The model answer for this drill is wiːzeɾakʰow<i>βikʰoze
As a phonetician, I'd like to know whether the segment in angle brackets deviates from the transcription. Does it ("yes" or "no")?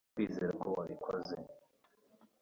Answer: yes